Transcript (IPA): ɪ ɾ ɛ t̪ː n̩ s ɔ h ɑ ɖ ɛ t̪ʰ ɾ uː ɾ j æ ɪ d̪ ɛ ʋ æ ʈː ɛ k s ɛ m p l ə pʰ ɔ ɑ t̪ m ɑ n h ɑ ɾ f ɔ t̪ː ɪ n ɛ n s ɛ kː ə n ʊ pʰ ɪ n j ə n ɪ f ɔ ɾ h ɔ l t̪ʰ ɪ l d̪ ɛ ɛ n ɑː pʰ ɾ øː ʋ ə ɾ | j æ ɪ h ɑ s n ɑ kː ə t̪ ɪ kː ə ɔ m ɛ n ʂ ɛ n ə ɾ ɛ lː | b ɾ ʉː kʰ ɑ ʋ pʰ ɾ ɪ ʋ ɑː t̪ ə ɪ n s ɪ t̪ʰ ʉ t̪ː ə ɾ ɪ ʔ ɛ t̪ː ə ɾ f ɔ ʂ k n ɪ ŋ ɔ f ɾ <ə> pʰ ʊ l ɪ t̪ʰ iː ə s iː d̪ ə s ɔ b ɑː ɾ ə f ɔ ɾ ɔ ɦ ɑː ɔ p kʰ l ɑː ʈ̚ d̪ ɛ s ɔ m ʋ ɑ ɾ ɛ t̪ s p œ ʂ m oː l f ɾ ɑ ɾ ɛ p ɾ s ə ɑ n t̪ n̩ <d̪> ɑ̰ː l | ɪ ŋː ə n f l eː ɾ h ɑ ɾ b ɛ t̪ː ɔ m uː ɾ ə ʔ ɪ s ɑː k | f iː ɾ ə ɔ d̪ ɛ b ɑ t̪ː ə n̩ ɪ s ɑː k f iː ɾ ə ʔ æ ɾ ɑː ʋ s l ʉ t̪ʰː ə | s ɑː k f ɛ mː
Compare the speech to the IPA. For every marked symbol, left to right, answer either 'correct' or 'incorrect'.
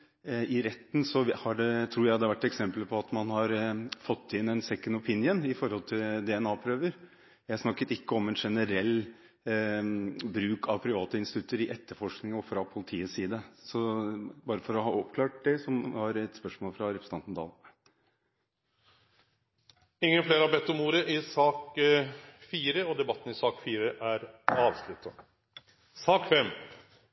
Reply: incorrect: ɑ, correct

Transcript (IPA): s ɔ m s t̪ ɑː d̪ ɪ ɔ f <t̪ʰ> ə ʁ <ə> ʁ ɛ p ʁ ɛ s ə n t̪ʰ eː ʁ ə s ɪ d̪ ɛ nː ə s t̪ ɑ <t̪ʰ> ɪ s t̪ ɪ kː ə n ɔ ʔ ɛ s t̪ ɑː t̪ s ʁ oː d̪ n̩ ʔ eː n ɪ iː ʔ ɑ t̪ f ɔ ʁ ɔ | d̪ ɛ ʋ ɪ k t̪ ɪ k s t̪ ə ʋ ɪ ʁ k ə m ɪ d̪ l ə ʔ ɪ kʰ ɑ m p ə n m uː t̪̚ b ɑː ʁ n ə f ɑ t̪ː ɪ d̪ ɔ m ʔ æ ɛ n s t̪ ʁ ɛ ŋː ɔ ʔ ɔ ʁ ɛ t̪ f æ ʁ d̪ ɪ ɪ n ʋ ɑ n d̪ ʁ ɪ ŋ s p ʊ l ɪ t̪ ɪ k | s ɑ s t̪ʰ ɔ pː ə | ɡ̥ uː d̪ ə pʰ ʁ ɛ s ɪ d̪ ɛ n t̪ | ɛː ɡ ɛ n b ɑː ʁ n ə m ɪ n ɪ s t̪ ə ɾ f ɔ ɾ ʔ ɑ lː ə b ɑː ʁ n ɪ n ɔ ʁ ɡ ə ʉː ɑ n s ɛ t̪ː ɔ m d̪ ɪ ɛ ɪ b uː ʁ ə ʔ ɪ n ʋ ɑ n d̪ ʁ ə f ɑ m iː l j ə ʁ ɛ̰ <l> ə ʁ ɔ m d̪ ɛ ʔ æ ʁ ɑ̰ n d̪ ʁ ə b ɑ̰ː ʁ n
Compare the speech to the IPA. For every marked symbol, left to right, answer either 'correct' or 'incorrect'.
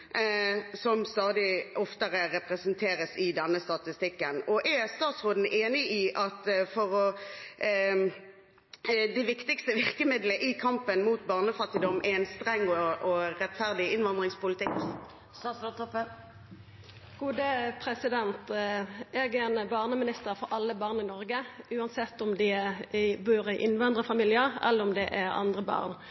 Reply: incorrect: t̪, correct, incorrect: t̪, incorrect: lː

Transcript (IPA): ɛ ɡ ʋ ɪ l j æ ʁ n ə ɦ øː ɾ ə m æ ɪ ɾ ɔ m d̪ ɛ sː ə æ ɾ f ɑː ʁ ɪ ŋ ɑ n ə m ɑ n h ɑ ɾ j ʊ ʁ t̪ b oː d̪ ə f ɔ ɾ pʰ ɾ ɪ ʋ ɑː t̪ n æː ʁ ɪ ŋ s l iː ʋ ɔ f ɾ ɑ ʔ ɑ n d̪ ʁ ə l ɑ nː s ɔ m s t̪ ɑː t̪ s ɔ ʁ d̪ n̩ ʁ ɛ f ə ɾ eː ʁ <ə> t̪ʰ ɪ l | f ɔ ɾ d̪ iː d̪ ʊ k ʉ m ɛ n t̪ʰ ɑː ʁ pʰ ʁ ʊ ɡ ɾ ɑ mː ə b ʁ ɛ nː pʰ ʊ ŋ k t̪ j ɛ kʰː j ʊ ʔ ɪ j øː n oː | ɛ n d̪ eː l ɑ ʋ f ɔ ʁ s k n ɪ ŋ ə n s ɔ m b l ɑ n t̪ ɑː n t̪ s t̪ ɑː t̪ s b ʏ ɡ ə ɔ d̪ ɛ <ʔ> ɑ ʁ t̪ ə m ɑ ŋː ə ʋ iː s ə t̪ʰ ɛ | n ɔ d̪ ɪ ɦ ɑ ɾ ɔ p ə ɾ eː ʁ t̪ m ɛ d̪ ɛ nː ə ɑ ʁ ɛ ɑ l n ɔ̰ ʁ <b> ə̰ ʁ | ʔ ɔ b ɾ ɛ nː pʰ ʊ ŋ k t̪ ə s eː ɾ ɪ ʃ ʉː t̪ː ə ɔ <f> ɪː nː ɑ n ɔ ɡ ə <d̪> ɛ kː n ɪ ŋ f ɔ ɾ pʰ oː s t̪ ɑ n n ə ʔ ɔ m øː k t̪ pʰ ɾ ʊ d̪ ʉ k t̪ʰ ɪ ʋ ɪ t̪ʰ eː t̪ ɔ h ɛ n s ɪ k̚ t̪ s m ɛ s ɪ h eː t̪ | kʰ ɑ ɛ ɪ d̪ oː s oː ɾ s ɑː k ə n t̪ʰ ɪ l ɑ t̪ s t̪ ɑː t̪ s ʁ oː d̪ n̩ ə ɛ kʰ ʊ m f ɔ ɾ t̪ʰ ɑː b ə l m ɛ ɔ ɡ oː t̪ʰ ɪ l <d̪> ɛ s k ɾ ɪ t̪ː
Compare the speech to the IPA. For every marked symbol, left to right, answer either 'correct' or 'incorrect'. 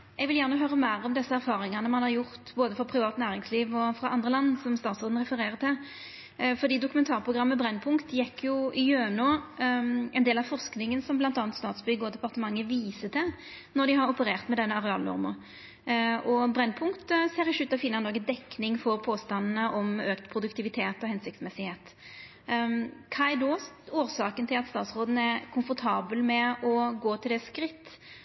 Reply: correct, incorrect: p, incorrect: m, correct, correct, correct

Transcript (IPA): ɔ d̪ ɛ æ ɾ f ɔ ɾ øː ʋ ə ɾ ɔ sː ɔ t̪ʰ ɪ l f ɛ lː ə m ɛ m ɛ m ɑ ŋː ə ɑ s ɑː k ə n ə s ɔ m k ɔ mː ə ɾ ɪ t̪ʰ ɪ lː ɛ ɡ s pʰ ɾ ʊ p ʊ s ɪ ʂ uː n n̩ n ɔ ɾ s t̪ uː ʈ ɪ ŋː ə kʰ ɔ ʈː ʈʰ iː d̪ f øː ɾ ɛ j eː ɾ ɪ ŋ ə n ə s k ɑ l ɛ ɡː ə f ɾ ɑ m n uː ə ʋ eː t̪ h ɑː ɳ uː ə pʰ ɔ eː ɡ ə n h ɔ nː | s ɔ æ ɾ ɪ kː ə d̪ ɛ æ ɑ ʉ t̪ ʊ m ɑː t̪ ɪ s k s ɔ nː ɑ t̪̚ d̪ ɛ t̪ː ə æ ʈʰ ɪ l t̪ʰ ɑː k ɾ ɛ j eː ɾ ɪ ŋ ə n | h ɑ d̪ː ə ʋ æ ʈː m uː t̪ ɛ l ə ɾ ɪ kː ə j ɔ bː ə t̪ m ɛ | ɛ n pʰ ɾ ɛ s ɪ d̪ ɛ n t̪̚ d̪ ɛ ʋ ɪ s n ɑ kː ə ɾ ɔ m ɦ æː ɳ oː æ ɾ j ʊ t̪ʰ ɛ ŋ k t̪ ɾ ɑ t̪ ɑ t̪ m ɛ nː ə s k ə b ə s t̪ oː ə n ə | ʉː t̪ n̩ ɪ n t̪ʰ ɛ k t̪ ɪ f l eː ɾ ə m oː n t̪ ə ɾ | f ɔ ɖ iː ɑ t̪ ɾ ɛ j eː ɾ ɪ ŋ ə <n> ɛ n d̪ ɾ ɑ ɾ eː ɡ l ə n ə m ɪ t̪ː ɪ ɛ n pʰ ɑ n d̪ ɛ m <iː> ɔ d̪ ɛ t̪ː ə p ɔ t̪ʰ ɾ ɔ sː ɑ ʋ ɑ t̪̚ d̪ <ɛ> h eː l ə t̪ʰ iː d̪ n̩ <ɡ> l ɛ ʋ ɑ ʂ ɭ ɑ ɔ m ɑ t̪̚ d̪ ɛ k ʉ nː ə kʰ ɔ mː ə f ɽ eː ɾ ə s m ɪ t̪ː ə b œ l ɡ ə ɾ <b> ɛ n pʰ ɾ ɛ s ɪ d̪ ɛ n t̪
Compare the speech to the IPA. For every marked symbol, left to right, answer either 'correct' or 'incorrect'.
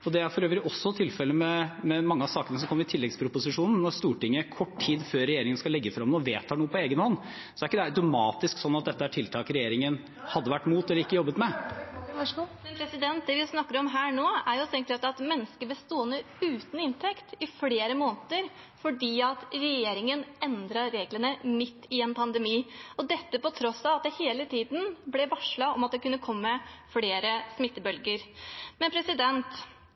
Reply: correct, correct, correct, incorrect: b, incorrect: m

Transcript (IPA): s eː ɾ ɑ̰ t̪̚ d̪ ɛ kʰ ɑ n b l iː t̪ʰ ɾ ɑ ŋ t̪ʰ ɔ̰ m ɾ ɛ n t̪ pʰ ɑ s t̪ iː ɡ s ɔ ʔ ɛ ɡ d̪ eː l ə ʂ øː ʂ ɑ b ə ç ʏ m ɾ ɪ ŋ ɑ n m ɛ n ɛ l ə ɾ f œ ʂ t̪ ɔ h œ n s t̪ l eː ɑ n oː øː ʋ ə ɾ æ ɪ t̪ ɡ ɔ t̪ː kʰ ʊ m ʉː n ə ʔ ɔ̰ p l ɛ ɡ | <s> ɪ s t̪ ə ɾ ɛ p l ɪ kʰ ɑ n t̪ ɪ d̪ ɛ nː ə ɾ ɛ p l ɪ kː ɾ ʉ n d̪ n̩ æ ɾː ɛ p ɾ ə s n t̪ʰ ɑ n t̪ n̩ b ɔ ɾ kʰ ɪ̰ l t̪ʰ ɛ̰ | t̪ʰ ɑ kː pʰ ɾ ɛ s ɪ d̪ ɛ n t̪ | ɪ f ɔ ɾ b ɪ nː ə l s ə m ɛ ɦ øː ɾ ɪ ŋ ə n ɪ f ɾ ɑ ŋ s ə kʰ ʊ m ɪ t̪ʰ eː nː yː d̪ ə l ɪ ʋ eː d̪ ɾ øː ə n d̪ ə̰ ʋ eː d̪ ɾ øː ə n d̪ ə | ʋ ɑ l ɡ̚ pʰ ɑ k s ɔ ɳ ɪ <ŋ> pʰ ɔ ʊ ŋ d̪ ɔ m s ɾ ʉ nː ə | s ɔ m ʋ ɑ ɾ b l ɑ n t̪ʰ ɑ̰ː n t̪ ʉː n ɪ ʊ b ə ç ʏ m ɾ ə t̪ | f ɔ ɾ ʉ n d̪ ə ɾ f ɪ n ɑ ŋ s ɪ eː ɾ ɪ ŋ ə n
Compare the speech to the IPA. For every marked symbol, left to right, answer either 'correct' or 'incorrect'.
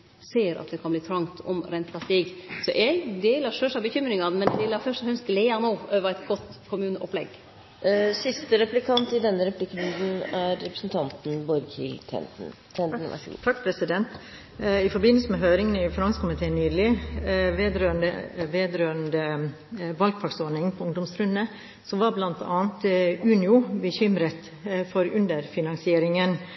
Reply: correct, correct

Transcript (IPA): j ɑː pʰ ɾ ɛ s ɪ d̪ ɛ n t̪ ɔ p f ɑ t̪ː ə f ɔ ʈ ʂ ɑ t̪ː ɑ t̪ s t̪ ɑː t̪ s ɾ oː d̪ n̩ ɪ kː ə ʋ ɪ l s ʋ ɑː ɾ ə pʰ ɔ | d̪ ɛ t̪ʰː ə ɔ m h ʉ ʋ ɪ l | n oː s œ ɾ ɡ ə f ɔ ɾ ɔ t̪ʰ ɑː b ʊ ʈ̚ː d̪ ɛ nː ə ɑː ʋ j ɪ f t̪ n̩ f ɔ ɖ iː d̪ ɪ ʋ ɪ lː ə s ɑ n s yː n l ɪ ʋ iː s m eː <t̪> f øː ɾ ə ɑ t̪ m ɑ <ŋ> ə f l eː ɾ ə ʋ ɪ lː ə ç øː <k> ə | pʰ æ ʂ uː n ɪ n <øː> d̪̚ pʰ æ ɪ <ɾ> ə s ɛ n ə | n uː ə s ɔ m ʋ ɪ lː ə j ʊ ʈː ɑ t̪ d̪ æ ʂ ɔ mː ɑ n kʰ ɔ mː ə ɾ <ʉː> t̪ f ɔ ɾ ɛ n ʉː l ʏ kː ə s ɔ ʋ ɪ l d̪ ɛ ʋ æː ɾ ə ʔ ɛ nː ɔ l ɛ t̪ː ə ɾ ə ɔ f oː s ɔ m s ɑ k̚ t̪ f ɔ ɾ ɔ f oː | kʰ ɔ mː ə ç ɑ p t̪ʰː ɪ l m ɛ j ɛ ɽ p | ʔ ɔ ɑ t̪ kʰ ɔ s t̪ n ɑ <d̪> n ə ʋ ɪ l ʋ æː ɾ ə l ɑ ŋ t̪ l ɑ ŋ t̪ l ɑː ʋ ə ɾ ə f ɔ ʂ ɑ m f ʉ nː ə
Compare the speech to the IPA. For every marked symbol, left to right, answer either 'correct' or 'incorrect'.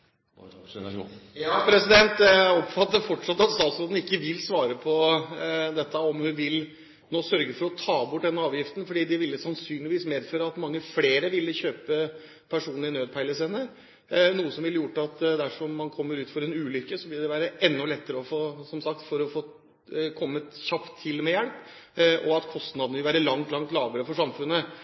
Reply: incorrect: d̪, incorrect: ŋː, incorrect: p, correct, incorrect: l, correct, correct

